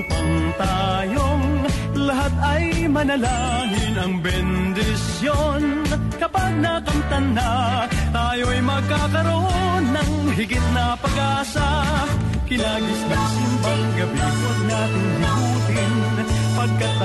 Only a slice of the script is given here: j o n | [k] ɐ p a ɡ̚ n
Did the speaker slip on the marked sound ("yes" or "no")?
no